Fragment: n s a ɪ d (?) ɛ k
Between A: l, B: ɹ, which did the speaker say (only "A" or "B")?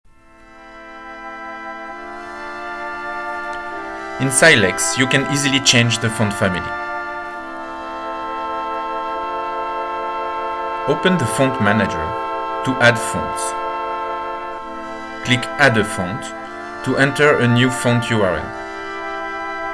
A